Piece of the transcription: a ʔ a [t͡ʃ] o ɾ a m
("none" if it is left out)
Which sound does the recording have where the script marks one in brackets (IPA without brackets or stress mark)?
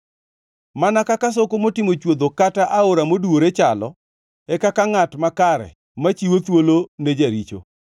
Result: none